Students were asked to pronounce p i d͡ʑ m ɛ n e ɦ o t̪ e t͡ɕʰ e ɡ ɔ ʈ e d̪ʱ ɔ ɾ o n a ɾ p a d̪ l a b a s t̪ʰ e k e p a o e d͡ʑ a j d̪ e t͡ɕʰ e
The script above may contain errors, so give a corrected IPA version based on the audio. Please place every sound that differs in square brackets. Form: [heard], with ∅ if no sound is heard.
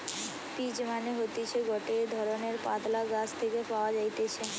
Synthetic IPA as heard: p i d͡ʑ m [a] n e ɦ o t̪ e t͡ɕʰ e ɡ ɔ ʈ e d̪ʱ ɔ ɾ o n [e] ɾ p a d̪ l a [ɡ] a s t̪ʰ e k e p a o [a] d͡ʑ a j [t̪] e t͡ɕʰ e

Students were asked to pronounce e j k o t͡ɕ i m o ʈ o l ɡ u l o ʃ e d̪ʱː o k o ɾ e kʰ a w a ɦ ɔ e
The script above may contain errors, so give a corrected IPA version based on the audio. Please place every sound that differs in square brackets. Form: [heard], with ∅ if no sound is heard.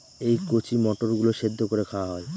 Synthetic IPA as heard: e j k o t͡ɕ i m [ɔ] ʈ o [ɾ] ɡ u l o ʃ e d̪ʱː o k o ɾ e kʰ a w a ɦ ɔ e

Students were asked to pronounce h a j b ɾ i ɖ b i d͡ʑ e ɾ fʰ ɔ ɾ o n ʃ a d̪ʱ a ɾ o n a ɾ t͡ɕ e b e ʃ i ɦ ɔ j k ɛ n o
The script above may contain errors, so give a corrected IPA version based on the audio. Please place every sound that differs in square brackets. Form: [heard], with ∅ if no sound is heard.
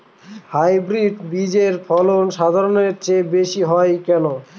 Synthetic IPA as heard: h a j b ɾ i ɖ b i d͡ʑ e ɾ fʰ ɔ [l] o n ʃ a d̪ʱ a ɾ o n [e] ɾ t͡ɕ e b e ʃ i ɦ ɔ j k ɛ n o

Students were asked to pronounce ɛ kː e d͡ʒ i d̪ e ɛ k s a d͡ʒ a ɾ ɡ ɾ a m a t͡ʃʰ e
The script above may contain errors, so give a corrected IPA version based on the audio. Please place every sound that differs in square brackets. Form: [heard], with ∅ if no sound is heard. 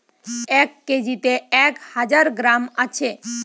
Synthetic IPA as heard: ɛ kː e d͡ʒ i [t̪] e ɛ k [h] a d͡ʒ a ɾ ɡ ɾ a m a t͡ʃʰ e

